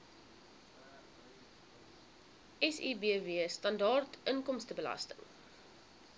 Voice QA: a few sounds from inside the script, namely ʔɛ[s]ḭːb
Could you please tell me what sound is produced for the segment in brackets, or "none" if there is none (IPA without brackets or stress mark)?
s